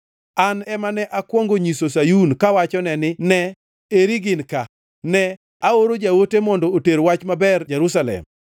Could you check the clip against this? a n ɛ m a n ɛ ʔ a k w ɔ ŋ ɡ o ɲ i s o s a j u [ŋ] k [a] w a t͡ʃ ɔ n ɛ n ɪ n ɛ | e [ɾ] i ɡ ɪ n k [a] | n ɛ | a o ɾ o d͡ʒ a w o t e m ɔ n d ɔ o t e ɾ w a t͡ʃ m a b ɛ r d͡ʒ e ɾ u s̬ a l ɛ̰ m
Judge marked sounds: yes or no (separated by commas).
no, yes, yes, yes